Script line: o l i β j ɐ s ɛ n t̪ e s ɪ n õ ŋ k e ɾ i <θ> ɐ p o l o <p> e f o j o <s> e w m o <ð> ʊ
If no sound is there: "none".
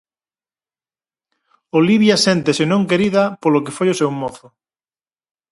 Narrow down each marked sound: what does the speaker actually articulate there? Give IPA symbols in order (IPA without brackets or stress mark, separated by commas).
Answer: ð, k, s, θ